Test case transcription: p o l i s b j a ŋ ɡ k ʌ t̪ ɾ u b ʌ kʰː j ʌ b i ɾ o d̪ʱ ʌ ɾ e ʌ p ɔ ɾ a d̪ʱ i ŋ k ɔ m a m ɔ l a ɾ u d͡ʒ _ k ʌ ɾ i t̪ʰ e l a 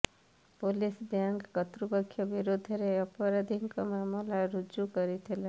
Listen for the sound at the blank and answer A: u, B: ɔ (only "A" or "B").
A